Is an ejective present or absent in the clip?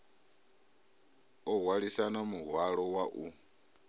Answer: absent